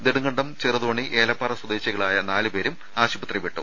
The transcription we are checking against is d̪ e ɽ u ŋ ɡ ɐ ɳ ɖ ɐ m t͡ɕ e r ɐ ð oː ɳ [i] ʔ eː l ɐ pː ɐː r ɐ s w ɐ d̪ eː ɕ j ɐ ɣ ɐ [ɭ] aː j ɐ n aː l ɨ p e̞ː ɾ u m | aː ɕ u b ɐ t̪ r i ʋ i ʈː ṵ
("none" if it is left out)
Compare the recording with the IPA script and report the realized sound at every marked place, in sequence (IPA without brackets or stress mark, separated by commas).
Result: i, ɭ